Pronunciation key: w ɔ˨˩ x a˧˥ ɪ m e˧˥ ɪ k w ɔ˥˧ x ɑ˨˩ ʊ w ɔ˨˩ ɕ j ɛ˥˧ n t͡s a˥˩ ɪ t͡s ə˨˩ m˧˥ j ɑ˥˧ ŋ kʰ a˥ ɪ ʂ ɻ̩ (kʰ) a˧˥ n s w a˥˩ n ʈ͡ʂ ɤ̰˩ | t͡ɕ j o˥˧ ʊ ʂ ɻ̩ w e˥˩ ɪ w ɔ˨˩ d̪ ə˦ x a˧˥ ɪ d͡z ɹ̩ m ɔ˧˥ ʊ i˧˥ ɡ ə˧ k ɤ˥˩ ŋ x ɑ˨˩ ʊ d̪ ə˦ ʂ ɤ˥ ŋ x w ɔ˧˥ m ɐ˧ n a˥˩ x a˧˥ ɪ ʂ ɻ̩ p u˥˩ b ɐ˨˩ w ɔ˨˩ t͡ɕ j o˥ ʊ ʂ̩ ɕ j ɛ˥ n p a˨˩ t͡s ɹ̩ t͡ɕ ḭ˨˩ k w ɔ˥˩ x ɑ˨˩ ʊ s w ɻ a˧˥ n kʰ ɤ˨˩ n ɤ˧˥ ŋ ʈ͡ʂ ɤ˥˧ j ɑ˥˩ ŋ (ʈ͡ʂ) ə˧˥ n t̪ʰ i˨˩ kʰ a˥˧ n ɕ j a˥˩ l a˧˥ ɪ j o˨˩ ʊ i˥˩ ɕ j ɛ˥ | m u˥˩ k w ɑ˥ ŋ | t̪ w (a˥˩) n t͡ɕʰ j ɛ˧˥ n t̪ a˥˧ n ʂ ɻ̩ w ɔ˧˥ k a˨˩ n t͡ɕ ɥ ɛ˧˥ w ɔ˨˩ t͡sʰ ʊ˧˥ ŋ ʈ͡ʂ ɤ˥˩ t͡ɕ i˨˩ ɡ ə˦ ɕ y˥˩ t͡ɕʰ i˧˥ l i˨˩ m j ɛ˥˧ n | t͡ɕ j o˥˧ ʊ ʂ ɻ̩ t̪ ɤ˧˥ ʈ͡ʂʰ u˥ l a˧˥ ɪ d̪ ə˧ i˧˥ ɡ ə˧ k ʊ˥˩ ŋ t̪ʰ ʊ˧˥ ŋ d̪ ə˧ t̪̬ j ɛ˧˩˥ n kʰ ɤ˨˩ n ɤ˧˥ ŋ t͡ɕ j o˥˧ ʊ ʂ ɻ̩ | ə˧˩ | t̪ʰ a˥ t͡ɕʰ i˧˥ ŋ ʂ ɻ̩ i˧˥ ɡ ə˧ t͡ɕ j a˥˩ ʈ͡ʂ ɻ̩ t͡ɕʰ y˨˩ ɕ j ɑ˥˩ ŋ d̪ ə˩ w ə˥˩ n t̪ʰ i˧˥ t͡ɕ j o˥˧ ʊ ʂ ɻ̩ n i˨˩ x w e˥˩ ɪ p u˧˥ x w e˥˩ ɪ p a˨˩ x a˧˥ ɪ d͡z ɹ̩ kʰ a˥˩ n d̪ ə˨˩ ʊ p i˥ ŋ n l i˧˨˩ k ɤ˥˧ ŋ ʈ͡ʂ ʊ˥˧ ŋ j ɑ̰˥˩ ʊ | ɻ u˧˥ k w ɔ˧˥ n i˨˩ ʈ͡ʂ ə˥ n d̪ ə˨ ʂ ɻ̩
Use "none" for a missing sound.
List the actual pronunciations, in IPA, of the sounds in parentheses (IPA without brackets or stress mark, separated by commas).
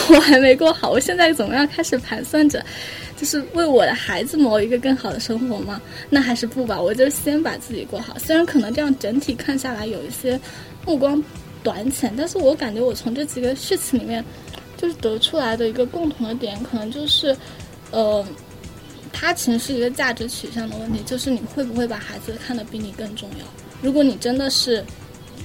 pʰ, ʈ͡ʂ, a˧˥